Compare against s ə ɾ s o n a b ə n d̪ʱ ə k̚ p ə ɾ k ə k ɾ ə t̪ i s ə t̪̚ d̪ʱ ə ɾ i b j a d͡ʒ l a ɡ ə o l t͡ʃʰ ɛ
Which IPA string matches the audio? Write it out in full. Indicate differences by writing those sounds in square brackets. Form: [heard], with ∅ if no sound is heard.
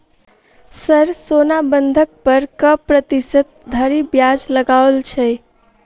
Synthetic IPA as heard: s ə ɾ s o n a b ə n d̪ʱ ə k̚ p ə ɾ k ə [p] ɾ ə t̪ i s ə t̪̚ d̪ʱ ə ɾ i b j a d͡ʒ l [ə] ɡ [a] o l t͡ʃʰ ɛ